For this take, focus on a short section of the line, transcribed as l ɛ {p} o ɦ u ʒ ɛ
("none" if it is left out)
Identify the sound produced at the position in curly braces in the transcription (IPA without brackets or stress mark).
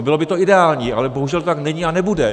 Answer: b